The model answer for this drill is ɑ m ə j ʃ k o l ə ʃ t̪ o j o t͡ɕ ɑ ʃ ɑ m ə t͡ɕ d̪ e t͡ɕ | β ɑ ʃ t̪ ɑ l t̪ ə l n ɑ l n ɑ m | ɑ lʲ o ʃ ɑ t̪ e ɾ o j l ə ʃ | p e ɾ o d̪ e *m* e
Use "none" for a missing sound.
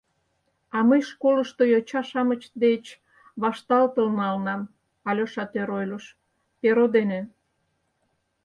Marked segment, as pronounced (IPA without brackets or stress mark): n